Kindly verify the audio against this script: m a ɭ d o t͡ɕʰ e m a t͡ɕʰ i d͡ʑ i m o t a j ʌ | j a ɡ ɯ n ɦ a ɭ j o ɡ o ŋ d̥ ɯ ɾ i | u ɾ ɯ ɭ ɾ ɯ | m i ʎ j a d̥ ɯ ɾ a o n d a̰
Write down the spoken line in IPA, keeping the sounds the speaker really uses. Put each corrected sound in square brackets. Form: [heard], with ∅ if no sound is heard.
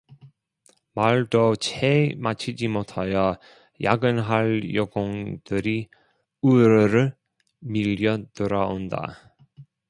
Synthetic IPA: m a ɭ d o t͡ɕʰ e m a t͡ɕʰ i d͡ʑ i m o [tʰ] a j ʌ | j a ɡ ɯ n ɦ a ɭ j o ɡ o ŋ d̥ ɯ ɾ i | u ɾ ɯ [∅] ɾ ɯ | m i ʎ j [ʌ] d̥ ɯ ɾ a o n d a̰